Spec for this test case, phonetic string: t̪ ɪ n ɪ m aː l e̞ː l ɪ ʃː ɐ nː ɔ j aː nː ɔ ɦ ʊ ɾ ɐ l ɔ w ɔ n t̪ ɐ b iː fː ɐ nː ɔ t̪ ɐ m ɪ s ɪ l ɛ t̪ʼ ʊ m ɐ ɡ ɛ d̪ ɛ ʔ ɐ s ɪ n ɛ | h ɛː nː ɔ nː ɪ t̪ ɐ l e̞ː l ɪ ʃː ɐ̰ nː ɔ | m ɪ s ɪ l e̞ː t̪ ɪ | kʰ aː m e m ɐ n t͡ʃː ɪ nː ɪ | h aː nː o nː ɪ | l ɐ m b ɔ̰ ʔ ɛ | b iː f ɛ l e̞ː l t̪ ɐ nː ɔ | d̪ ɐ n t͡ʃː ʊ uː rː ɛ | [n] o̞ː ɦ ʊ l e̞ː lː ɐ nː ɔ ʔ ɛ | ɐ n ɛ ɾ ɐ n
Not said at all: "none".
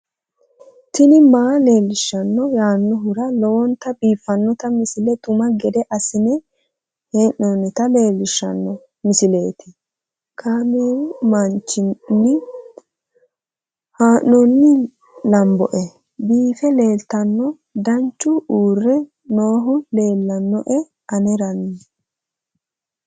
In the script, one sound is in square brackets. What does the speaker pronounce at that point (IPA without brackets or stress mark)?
n